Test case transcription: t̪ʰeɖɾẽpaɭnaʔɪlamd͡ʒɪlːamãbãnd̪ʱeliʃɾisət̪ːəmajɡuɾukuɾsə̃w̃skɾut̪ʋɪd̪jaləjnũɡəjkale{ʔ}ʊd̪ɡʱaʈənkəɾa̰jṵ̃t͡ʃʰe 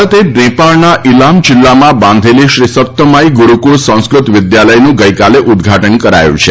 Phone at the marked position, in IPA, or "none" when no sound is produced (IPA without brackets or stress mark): ʔ